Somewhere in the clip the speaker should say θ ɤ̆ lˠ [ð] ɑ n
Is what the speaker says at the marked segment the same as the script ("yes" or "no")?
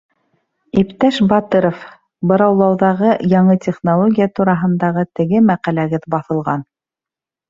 no